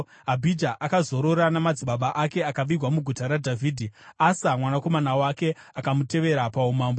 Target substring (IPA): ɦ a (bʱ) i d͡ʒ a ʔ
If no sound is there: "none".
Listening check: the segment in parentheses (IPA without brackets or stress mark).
bʱ